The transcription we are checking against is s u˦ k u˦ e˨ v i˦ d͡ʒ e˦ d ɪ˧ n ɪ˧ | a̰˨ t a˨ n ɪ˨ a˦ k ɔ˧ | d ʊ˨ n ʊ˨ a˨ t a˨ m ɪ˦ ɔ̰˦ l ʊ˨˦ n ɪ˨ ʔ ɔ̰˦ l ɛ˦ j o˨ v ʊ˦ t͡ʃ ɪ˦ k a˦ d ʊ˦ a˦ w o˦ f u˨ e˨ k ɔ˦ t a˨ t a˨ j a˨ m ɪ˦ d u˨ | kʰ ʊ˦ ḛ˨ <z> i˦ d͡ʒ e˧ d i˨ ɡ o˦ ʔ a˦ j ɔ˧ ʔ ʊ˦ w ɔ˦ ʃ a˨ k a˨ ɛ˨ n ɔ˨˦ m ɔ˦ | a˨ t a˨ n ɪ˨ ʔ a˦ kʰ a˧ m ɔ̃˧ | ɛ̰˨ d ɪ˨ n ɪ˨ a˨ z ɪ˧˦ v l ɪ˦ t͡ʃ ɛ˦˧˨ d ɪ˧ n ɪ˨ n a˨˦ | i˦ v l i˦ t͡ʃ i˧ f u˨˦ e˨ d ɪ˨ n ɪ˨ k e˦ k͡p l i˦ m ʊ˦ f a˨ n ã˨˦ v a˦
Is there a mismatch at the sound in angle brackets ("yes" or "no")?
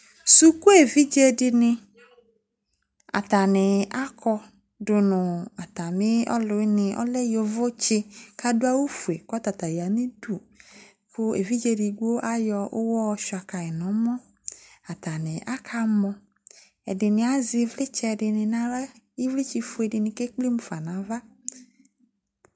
yes